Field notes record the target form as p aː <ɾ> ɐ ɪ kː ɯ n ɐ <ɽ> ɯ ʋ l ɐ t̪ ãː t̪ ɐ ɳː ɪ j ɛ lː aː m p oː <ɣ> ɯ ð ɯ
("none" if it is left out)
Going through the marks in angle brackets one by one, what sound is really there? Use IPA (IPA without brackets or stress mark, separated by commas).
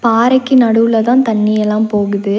ɾ, ɽ, ɣ